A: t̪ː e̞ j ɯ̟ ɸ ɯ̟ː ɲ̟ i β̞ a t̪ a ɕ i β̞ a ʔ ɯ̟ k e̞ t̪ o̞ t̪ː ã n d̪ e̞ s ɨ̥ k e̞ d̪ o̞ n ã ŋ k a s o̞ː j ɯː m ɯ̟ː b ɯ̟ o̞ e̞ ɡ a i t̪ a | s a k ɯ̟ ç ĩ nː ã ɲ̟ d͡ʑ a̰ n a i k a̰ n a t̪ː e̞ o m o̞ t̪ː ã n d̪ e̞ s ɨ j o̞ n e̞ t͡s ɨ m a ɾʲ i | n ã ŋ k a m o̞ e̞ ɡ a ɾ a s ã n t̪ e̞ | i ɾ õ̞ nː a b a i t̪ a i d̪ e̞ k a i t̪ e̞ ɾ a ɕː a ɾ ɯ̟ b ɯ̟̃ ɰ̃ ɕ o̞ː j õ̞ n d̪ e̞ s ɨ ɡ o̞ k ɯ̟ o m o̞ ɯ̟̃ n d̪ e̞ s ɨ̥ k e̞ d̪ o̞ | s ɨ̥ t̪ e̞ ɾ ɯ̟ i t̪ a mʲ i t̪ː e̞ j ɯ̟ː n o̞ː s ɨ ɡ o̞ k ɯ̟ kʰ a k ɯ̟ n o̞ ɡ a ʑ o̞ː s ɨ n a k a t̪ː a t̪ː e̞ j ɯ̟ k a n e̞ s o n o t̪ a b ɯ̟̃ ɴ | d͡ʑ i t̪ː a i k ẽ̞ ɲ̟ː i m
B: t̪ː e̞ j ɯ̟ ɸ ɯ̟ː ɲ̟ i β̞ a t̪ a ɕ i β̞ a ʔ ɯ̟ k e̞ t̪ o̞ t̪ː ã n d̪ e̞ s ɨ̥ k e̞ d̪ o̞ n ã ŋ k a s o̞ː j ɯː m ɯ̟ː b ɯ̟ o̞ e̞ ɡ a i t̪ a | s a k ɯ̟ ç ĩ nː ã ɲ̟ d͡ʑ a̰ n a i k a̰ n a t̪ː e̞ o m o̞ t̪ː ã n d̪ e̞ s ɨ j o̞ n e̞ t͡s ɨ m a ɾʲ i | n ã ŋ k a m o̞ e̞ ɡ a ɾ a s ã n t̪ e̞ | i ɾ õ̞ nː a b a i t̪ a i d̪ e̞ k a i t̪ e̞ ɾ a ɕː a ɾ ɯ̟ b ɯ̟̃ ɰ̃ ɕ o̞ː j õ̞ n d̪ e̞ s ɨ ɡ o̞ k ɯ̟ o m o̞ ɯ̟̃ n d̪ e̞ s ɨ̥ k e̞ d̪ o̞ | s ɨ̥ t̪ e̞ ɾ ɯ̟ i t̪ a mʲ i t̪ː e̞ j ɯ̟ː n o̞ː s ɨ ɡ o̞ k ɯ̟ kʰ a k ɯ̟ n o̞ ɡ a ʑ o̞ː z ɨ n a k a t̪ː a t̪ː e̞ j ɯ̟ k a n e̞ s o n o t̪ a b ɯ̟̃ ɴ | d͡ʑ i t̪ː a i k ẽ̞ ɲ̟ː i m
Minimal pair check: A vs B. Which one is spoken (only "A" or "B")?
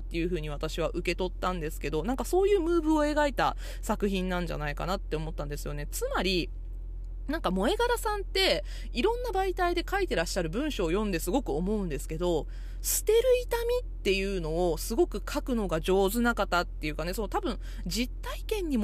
B